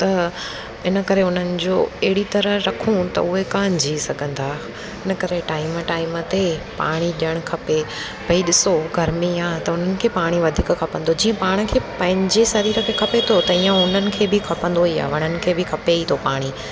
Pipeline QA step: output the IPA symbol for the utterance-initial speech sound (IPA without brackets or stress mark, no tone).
t̪